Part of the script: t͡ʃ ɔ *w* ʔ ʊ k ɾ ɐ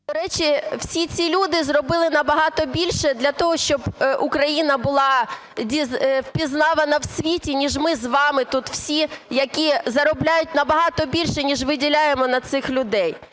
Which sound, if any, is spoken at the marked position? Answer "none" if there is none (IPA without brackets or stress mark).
b